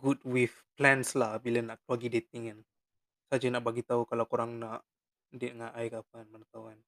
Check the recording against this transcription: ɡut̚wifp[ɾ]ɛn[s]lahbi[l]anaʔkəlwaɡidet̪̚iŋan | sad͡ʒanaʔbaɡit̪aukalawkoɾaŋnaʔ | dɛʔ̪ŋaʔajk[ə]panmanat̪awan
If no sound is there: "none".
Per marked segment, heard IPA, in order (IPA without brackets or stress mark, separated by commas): l, s, l, a